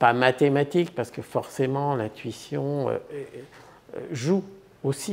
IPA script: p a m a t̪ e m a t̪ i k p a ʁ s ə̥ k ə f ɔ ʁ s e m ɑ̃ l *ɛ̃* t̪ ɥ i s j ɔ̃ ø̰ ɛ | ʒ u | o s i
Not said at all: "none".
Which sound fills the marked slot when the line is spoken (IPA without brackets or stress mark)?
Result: ɛ̃